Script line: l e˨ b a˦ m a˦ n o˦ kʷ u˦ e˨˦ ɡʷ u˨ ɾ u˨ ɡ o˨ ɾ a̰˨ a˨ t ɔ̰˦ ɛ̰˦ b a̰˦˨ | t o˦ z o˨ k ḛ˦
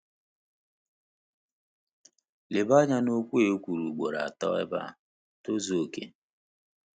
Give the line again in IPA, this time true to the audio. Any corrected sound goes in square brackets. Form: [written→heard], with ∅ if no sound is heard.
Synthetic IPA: l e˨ b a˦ [m→ɲ] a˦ n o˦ kʷ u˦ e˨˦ [ɡʷ→kʷ] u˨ ɾ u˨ [ɡ→ɡ͡b] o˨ ɾ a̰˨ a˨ t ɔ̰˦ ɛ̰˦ b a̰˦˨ | t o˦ z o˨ k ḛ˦